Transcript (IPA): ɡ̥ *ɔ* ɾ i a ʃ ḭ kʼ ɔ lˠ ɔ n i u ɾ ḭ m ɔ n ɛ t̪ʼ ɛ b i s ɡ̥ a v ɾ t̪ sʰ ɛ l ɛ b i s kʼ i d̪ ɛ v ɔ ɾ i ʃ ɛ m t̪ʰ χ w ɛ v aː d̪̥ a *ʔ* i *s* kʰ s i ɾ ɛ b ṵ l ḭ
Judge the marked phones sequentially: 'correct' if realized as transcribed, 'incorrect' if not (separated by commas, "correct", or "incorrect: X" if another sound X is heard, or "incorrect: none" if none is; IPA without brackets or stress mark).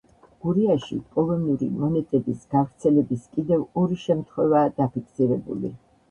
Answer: incorrect: u, incorrect: p, incorrect: none